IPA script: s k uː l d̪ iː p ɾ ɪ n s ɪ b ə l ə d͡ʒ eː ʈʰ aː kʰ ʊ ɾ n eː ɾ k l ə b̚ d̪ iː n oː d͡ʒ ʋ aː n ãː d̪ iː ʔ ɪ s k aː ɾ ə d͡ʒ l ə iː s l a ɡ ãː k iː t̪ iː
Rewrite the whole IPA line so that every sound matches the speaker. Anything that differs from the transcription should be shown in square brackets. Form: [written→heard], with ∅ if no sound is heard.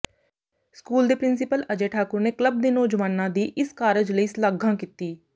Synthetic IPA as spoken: s k uː l d̪ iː p ɾ ɪ n s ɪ [b→p] ə l ə d͡ʒ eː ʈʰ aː [kʰ→k] ʊ ɾ n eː [ɾ→∅] k l ə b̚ d̪ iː n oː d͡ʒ ʋ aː n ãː d̪ iː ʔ ɪ s k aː ɾ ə d͡ʒ l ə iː s l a ɡ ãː k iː t̪ iː